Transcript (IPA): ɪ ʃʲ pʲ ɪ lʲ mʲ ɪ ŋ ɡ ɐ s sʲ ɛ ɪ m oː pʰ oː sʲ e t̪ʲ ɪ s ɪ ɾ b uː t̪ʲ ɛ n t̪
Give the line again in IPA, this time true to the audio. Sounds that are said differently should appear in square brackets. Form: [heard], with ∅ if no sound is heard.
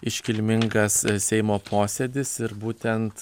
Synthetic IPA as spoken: ɪ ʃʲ [kʲ] ɪ lʲ mʲ ɪ ŋ ɡ ɐ s sʲ ɛ ɪ m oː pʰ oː sʲ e [d̪ʲ] ɪ s ɪ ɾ b uː t̪ʲ ɛ n t̪